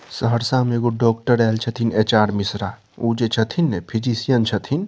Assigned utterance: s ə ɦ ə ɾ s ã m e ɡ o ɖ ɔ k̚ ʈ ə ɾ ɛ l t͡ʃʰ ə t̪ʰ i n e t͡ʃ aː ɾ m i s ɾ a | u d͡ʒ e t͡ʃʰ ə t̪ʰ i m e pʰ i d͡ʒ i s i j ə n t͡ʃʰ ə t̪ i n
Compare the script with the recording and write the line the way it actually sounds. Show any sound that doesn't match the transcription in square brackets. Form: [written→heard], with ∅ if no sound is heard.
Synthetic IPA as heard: s ə ɦ ə ɾ s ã m e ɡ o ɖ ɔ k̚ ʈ ə ɾ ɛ l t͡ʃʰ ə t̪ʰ i n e t͡ʃ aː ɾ m i s ɾ a | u d͡ʒ e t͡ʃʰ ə t̪ʰ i [m→n] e pʰ i d͡ʒ i s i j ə n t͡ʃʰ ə [t̪→t̪ʰ] i n